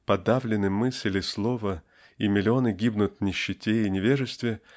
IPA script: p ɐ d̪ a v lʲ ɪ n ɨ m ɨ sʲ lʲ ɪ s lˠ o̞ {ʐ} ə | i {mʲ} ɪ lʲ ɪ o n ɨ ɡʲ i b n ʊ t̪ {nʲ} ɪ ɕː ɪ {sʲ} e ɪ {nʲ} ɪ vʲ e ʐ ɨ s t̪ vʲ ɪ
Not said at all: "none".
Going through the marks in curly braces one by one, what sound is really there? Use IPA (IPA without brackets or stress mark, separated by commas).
v, mʲ, nʲ, tʲ, nʲ